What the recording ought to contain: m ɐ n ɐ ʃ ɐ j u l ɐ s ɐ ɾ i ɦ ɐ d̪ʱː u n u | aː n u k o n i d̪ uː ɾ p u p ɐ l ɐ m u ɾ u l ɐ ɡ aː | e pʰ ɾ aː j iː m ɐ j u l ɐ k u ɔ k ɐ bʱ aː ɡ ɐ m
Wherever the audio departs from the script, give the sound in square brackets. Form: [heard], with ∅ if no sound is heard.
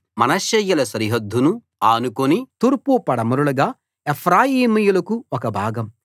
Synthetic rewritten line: m ɐ n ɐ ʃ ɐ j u l ɐ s ɐ ɾ i ɦ ɐ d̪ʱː u n u | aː n u k o n i [t̪] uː ɾ p u p ɐ [ɽ] ɐ m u ɾ u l ɐ ɡ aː | e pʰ ɾ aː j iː m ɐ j u l ɐ k u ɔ k ɐ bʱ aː ɡ ɐ m

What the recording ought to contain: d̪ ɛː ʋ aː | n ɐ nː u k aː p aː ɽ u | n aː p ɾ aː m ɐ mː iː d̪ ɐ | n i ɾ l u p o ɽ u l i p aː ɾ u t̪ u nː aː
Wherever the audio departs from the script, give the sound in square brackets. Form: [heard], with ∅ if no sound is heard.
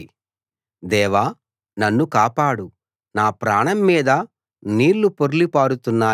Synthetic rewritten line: d̪ ɛː ʋ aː | n ɐ nː u k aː p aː ɽ u | n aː p ɾ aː [ɳ] ɐ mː iː d̪ ɐ | n [iː] ɾ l u p o [ɾ] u l i p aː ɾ u t̪ u nː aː

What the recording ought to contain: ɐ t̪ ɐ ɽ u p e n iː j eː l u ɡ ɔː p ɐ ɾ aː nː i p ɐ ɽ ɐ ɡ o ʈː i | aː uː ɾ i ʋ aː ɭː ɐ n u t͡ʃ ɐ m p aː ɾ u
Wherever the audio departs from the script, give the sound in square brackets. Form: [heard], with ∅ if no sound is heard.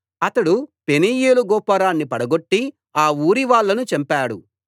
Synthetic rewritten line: ɐ t̪ ɐ ɽ u p e n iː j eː l u ɡ ɔː p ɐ ɾ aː nː i p ɐ ɽ ɐ ɡ o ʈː i | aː uː ɾ i ʋ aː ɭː ɐ n u t͡ʃ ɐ m p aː [ɽ] u

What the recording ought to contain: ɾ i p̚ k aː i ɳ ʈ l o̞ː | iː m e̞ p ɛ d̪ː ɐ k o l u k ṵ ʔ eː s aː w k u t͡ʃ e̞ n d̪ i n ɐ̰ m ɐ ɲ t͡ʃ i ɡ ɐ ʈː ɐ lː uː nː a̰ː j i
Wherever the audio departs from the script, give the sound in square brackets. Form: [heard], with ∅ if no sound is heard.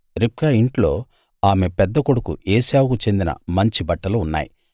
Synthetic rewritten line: ɾ i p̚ k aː i ɳ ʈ l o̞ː | [aː] m e̞ p ɛ d̪ː ɐ k o [ɽ] u k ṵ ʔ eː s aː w k u t͡ʃ e̞ n d̪ i n ɐ̰ m ɐ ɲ t͡ʃ i [b] ɐ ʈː ɐ [l] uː nː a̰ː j i

